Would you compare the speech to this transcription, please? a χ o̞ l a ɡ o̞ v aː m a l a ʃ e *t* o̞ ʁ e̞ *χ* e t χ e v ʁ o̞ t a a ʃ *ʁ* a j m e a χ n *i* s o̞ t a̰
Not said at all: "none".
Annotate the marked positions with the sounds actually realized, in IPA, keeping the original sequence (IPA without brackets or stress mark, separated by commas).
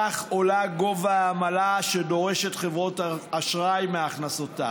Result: d, ʃ, ʁ, a